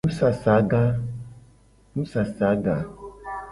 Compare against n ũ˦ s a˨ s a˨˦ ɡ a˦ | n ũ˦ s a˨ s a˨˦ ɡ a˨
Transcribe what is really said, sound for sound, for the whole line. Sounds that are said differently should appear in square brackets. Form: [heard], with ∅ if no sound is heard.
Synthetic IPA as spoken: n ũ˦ s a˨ s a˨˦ ɡ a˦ | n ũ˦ s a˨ s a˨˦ ɡ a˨